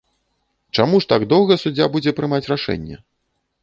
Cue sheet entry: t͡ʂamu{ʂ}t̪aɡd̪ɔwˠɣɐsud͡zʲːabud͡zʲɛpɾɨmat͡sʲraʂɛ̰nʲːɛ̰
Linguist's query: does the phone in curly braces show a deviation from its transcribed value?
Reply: no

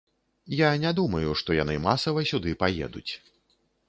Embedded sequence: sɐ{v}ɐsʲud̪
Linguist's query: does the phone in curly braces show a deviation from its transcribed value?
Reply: no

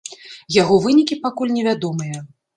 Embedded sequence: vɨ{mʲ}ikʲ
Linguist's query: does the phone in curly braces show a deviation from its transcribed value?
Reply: yes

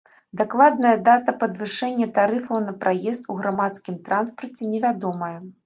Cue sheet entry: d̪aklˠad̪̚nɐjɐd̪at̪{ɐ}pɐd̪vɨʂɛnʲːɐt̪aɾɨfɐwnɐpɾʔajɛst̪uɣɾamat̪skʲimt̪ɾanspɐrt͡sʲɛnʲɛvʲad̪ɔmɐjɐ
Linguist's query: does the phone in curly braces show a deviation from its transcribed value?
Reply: no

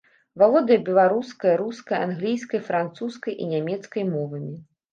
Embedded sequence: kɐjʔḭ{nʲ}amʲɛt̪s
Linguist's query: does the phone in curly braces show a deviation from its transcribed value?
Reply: no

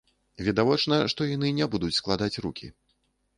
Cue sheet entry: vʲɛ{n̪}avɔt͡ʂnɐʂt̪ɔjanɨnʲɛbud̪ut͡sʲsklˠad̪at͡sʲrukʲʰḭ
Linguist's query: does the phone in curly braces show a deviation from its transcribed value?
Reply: yes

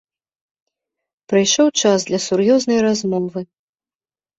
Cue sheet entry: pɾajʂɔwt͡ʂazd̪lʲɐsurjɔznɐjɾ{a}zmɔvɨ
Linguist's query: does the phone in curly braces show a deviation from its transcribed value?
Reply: no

